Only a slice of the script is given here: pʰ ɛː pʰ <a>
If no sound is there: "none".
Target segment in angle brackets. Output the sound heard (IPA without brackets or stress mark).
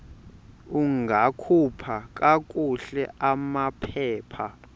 a